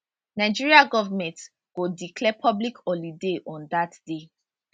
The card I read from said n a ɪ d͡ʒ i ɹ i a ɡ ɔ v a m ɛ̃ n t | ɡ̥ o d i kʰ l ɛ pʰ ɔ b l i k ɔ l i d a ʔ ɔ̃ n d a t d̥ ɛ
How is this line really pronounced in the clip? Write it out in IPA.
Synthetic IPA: n a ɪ d͡ʒ i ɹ i a ɡ ɔ v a m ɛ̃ n t | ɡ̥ o d i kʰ l ɛ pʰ ɔ b l i k ɔ l i d e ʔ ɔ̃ n d a t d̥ e